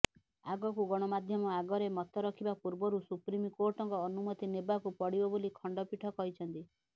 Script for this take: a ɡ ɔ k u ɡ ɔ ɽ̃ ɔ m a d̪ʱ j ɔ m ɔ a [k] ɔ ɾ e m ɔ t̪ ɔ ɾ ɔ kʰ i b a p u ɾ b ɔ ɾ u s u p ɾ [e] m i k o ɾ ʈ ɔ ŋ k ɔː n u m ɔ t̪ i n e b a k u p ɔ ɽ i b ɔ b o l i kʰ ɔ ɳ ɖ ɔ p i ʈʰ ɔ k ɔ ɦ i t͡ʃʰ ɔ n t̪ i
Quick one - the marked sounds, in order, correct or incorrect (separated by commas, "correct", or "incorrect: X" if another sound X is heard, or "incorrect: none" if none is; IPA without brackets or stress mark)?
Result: incorrect: ɡ, incorrect: i